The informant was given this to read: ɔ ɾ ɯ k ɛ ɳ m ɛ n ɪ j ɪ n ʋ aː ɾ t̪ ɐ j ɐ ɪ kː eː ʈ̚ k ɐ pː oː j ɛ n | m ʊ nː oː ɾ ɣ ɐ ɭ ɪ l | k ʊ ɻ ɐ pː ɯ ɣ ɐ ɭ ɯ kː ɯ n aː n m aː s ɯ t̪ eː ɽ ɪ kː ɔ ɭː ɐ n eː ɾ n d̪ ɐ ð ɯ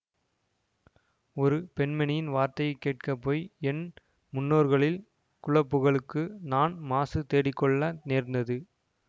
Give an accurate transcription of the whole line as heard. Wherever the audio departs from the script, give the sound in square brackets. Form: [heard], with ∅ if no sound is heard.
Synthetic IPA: ɔ ɾ ɯ [p] ɛ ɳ m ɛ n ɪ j ɪ n ʋ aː ɾ t̪ ɐ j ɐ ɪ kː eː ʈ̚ k ɐ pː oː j ɛ n | m ʊ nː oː ɾ ɣ ɐ ɭ ɪ l | k ʊ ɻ ɐ pː ɯ ɣ ɐ ɭ ɯ kː ɯ n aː n m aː s ɯ t̪ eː ɽ ɪ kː ɔ ɭː ɐ n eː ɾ n d̪ ɐ ð ɯ